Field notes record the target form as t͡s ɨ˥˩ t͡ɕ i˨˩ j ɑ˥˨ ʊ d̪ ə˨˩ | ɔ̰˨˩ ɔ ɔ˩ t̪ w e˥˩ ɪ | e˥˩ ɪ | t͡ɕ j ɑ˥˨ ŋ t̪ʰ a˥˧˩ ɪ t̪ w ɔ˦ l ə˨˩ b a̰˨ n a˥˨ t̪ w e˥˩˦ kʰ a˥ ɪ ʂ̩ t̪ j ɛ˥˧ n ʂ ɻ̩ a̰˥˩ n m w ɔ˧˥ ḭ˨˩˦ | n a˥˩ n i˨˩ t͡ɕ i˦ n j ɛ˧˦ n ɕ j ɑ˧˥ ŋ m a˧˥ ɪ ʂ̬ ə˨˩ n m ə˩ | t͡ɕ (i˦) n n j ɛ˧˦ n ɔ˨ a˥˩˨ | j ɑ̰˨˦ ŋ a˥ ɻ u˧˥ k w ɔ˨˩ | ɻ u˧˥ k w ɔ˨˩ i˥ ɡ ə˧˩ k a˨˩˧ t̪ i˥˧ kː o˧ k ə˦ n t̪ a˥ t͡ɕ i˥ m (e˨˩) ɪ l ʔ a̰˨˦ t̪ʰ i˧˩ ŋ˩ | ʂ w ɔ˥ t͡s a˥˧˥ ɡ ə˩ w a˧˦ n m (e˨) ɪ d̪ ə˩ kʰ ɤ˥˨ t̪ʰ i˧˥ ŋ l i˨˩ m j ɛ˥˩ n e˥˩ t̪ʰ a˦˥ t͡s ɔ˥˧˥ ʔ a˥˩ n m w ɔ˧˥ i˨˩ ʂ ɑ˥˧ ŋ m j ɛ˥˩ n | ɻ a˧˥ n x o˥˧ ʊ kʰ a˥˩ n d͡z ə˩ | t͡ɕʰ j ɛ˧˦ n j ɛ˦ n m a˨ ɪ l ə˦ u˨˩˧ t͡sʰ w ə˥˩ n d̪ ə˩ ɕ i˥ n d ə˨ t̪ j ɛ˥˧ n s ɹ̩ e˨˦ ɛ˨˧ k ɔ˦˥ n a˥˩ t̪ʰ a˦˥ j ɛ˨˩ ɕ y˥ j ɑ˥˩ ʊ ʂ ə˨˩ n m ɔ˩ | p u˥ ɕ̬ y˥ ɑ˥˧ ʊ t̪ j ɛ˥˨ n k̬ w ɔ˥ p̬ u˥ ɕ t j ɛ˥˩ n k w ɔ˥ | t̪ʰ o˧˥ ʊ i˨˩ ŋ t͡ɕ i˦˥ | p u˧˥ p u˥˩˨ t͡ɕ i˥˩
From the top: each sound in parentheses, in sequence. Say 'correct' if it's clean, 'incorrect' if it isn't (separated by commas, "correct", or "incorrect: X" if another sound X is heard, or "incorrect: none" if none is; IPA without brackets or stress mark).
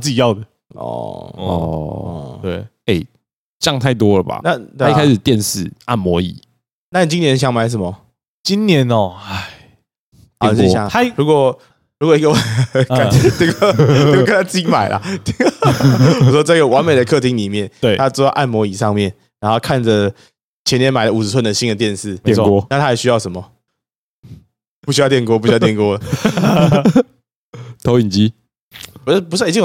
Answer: correct, incorrect: a˨˩, correct